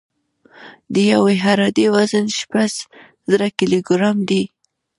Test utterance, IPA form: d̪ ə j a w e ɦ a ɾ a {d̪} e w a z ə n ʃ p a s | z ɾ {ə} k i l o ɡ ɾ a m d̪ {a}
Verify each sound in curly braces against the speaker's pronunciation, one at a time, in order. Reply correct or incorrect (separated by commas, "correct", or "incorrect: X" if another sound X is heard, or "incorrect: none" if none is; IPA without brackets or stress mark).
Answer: correct, incorrect: a, incorrect: i